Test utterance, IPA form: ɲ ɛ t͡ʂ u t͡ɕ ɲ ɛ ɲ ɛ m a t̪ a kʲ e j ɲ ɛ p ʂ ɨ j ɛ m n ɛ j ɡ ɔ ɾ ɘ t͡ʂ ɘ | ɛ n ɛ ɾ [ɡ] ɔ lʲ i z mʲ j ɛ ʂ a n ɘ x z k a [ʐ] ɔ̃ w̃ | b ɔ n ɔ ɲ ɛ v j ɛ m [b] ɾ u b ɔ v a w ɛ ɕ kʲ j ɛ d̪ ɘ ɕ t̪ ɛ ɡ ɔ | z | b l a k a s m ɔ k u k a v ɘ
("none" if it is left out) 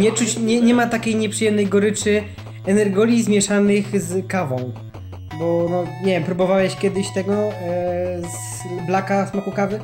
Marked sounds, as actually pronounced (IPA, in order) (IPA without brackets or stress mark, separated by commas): ɡ, v, p